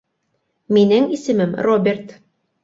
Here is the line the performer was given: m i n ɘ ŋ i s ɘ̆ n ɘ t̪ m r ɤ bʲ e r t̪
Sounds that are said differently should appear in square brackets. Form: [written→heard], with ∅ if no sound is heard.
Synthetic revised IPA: m i n ɘ ŋ i s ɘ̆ [n→m] ɘ [t̪→∅] m r [ɤ→o] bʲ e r t̪